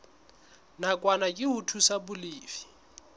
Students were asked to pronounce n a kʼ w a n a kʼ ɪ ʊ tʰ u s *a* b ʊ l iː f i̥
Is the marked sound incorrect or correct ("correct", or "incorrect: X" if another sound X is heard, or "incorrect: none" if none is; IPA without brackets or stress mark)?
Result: correct